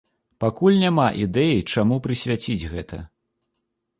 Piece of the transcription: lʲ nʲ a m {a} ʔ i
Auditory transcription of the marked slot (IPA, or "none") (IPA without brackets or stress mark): a